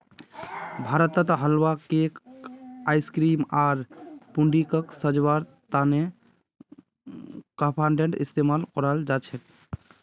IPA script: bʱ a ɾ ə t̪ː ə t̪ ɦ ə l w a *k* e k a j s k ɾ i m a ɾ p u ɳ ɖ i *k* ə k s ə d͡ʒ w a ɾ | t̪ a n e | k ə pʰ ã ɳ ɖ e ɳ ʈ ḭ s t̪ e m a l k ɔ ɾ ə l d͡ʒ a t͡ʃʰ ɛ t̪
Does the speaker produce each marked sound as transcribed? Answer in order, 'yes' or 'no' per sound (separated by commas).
yes, yes